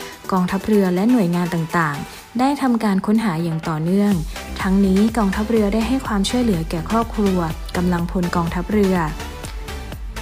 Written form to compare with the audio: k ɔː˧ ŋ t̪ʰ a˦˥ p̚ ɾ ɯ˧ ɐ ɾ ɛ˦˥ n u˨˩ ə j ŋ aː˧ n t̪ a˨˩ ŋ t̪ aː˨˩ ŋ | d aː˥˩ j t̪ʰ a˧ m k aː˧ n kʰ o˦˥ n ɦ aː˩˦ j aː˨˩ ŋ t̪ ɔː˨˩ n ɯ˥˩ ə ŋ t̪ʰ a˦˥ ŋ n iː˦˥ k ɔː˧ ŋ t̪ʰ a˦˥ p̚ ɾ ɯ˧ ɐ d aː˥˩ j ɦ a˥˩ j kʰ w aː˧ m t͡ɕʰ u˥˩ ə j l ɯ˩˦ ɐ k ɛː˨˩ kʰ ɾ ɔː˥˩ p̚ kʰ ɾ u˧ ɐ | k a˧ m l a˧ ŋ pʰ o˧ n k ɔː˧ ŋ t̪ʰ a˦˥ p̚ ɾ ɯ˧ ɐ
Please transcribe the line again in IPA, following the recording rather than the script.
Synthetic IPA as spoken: k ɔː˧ ŋ t̪ʰ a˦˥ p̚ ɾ ɯ˧ ɐ l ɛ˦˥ n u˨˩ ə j ŋ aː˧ n t̪ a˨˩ ŋ t̪ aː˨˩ ŋ | d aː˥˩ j t̪ʰ a˧ m k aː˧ n kʰ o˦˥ n ɦ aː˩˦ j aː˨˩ ŋ t̪ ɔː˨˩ n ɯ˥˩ ə ŋ t̪ʰ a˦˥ ŋ n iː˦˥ k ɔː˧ ŋ t̪ʰ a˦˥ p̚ ɾ ɯ˧ ɐ d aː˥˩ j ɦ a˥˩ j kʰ w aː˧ m t͡ɕʰ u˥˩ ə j l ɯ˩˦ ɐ k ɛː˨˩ kʰ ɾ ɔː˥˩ p̚ kʰ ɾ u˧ ɐ | k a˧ m l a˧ ŋ pʰ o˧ n k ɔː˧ ŋ t̪ʰ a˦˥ p̚ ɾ ɯ˧ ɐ